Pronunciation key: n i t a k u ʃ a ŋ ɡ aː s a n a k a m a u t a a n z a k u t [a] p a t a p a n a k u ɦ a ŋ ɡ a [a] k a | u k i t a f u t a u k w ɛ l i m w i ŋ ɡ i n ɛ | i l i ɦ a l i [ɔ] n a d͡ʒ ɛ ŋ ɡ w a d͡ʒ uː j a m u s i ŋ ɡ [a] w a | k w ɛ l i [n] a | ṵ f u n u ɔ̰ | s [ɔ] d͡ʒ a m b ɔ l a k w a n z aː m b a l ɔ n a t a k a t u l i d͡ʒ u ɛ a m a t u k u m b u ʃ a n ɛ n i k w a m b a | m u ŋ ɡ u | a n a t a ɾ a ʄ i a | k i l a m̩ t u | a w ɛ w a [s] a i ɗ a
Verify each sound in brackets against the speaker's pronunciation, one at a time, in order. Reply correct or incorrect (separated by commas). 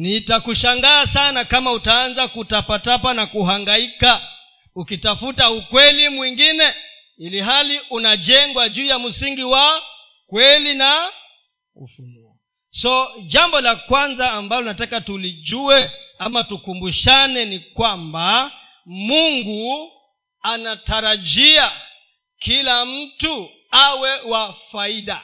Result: correct, incorrect, incorrect, incorrect, correct, correct, incorrect